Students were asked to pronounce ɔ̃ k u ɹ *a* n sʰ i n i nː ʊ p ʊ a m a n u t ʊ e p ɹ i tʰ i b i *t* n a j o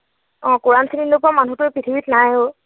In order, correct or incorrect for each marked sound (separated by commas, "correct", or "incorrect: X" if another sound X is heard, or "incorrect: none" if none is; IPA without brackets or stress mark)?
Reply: correct, correct